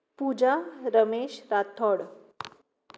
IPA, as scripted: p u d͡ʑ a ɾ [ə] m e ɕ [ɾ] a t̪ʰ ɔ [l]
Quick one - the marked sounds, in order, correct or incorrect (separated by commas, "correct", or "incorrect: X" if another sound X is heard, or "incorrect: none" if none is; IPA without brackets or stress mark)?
correct, correct, incorrect: ɽ